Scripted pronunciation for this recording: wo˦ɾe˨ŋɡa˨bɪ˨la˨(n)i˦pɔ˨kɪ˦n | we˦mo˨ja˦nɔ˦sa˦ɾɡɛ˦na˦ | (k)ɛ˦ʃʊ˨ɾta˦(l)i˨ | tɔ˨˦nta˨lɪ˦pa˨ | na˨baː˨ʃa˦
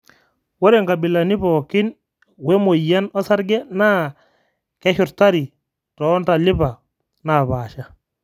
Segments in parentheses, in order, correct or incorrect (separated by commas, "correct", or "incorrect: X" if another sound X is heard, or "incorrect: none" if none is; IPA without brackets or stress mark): correct, correct, incorrect: ɾ